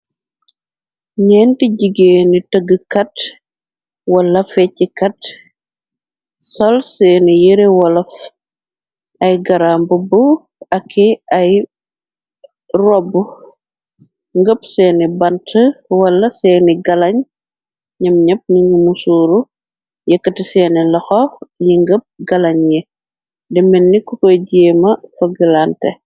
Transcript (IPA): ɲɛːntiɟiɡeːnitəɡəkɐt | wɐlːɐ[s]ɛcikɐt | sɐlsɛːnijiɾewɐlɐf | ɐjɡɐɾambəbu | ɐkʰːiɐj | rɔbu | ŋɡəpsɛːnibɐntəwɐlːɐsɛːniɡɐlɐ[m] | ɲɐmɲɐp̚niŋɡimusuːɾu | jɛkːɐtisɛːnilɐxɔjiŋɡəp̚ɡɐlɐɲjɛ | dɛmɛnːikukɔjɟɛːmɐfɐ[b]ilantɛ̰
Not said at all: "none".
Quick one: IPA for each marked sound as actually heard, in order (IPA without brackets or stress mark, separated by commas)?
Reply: f, ɲ, ɡ